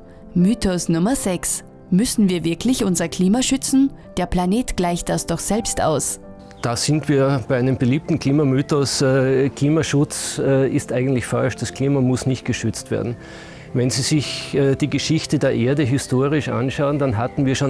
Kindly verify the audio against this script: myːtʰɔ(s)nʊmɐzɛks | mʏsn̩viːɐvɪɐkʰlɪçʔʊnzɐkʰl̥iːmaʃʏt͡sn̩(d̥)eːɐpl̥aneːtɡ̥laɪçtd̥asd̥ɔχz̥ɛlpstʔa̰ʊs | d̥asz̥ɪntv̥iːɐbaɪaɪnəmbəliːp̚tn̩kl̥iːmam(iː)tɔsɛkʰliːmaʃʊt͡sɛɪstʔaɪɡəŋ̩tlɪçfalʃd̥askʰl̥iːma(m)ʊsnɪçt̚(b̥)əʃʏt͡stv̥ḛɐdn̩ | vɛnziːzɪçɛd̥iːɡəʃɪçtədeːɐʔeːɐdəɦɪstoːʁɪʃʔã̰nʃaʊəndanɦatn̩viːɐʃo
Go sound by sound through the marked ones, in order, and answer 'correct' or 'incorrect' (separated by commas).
correct, correct, incorrect, correct, incorrect